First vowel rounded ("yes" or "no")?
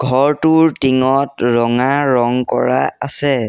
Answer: yes